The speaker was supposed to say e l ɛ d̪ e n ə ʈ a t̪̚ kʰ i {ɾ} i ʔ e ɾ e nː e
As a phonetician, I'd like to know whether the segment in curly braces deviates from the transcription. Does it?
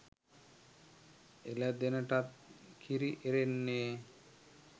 no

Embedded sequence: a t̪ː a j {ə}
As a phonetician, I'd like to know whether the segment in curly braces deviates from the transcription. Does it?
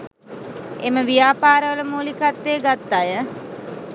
no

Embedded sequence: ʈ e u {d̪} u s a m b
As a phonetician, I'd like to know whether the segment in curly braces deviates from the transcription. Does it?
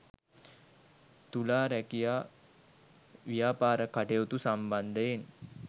yes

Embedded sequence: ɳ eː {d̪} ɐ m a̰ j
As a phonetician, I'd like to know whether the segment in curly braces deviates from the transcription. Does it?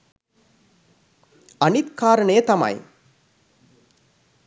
yes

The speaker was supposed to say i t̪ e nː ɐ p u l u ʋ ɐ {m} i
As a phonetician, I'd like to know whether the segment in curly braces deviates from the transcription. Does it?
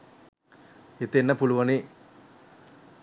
yes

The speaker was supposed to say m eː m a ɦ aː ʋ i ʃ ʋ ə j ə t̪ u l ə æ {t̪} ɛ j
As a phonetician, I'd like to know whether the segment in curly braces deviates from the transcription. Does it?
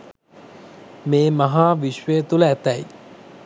no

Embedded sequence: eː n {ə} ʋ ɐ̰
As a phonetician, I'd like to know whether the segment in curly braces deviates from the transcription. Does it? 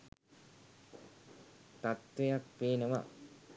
no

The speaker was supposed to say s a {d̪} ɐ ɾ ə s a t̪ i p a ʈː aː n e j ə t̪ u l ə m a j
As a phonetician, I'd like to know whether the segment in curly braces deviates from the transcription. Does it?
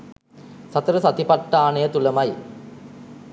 yes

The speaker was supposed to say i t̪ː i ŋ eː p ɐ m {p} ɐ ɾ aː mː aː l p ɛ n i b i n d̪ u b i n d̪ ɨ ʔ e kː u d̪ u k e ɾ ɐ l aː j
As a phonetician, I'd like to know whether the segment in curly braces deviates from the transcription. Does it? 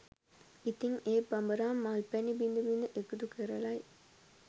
yes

